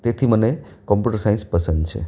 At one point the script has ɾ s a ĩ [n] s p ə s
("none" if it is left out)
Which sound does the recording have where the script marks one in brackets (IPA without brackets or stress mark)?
n